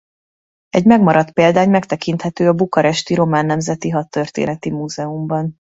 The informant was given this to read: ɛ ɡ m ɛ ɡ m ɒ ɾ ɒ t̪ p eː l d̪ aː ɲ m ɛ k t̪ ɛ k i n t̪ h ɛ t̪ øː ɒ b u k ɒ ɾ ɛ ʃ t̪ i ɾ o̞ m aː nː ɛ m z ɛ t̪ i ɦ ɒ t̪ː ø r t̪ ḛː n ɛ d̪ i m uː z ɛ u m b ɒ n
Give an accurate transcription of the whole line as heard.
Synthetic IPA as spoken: ɛ ɟ m ɛ ɡ m ɒ ɾ ɒ t̪ p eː l d̪ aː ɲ m ɛ k t̪ ɛ k i n t̪ h ɛ t̪ øː ɒ b u k ɒ ɾ ɛ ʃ t̪ i ɾ o̞ m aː nː ɛ m z ɛ t̪ i ɦ ɒ t̪ː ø r t̪ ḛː n ɛ t̪ i m uː z ɛ u m b ɒ n